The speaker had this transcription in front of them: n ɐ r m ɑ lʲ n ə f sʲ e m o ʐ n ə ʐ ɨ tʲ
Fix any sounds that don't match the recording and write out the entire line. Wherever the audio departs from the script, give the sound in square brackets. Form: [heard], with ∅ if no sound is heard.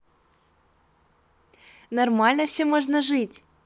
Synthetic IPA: n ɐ r m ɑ lʲ n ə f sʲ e m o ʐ n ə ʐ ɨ tʲ